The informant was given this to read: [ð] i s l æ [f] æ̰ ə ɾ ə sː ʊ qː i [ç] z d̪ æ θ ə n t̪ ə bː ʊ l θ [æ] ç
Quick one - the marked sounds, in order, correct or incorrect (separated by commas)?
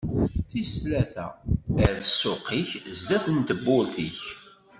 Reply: incorrect, incorrect, correct, incorrect